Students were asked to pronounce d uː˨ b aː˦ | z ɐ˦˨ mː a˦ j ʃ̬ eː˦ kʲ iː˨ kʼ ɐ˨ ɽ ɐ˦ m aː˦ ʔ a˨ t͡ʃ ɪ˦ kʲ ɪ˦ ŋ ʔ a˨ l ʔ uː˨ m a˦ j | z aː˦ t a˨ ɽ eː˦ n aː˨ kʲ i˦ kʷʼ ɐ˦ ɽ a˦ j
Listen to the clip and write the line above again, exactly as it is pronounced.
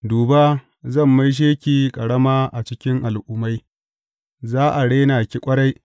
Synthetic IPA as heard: d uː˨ b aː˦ | z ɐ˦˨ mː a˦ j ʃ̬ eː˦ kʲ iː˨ kʼ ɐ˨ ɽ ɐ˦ m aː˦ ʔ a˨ t͡ʃ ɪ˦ kʲ ɪ˦ ŋ ʔ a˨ l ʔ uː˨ m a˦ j | z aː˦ ʔ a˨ ɽ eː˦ n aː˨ kʲ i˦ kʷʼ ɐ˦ ɽ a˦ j